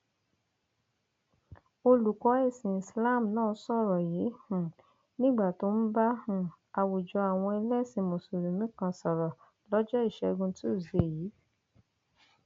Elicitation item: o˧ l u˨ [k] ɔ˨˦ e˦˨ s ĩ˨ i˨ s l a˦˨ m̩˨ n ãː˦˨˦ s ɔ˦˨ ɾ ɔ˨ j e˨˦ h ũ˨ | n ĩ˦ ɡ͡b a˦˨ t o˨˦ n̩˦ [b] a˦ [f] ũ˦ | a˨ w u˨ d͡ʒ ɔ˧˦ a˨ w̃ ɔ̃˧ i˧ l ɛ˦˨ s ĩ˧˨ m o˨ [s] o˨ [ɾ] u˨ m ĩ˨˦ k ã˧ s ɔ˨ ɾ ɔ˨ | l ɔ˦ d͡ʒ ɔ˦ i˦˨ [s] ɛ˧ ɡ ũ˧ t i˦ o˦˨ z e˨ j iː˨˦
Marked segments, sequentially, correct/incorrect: correct, correct, incorrect, correct, correct, incorrect

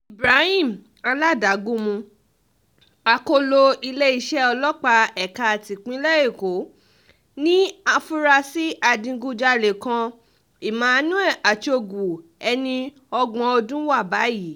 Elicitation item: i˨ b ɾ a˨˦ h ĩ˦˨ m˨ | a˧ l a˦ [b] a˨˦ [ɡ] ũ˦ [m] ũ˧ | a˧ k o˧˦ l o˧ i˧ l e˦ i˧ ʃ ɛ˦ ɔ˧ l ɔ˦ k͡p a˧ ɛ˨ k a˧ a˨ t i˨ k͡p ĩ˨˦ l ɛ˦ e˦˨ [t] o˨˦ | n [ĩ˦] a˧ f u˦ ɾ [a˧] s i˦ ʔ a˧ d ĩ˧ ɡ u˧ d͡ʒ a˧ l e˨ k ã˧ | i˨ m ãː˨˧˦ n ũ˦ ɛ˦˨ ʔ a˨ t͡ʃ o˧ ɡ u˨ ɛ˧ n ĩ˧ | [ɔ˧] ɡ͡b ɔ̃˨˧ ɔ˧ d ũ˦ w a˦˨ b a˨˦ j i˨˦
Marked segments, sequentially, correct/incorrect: incorrect, correct, correct, incorrect, correct, correct, correct

